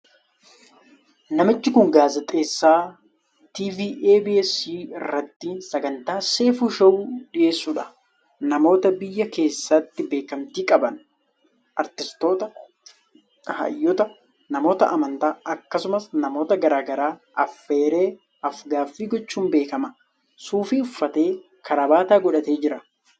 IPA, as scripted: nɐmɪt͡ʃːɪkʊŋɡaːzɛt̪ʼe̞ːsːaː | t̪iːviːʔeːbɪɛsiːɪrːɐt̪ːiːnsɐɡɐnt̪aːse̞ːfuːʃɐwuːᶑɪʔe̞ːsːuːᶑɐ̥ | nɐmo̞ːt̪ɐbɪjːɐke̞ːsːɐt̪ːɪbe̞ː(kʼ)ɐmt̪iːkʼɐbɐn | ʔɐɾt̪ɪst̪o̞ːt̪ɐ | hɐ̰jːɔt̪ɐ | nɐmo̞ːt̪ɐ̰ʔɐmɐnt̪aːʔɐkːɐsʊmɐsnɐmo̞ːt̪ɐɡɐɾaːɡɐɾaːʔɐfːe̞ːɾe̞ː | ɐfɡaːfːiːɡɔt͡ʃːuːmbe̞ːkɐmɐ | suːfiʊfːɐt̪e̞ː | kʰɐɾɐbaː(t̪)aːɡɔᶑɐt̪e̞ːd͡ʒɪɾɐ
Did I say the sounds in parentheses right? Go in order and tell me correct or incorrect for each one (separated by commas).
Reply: incorrect, correct